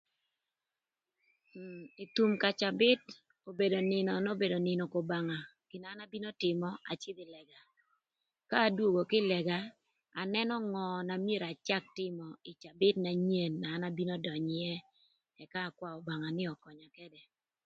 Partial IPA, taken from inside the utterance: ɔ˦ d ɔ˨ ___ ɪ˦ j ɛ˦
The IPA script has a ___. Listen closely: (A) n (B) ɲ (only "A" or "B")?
B